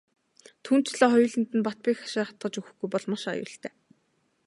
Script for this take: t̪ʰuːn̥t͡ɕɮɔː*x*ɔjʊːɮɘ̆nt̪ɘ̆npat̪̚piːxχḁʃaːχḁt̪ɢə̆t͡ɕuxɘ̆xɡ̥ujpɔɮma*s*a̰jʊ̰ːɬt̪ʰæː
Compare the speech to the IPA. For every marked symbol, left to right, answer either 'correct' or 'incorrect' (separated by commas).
incorrect, incorrect